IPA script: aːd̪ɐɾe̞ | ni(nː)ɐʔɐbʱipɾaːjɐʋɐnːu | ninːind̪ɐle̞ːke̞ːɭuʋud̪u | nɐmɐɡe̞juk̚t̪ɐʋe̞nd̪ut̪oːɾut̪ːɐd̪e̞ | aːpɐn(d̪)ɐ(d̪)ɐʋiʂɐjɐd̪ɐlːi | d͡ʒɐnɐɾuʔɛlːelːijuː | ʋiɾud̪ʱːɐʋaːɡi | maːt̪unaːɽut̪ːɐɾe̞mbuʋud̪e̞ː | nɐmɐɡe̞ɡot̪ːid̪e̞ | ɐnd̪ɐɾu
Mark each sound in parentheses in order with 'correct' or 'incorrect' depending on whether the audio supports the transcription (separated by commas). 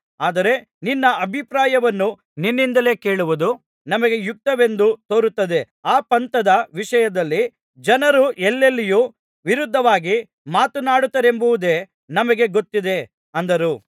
correct, incorrect, correct